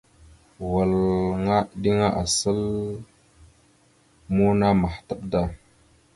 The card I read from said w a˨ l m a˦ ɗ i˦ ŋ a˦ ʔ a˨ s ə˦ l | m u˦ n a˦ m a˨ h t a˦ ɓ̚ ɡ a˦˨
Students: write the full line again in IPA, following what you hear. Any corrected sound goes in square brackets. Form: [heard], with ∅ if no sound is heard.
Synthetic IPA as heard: w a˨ l [ŋ] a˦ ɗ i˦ ŋ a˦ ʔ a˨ s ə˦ l | m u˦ n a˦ m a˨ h t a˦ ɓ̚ [d] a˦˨